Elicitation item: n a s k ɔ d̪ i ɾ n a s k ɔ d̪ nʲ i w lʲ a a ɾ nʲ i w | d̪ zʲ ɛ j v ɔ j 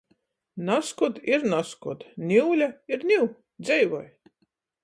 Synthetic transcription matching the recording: n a s k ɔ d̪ i ɾ n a s k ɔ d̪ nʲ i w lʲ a i ɾ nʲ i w | d̪ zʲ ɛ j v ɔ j